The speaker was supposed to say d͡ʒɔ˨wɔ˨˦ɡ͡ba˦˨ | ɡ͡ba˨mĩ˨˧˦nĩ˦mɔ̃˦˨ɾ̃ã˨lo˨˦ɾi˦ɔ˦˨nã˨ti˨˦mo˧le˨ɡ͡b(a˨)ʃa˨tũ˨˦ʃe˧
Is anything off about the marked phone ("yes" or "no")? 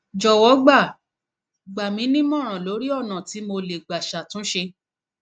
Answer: no